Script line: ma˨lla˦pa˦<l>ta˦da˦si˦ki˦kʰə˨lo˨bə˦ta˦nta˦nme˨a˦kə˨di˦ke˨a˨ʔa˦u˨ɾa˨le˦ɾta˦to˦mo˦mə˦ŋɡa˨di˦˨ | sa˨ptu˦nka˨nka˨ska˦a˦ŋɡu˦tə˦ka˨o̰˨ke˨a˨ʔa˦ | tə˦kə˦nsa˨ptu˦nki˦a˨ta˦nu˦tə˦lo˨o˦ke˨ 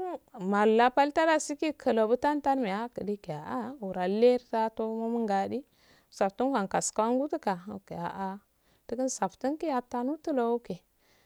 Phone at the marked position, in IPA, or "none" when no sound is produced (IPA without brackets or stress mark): l